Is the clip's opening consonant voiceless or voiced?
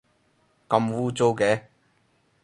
voiceless